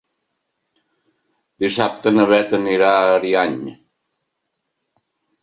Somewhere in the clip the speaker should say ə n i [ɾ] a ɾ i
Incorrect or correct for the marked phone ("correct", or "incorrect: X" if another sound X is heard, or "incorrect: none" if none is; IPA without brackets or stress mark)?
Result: correct